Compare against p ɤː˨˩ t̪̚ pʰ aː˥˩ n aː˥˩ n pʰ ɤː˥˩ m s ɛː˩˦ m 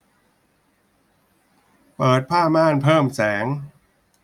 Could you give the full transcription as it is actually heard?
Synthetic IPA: p ɤː˨˩ t̪̚ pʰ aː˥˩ m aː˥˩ n pʰ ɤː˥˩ m s ɛː˩˦ ŋ